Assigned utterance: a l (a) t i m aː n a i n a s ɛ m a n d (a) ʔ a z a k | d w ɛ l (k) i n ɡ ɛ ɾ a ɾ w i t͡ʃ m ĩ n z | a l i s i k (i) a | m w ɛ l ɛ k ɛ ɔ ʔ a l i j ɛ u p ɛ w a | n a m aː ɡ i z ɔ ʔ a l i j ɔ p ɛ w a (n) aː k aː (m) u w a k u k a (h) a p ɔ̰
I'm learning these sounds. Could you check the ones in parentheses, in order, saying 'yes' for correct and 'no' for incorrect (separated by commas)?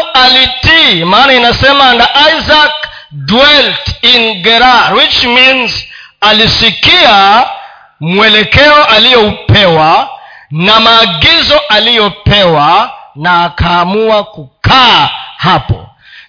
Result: no, yes, no, yes, yes, yes, yes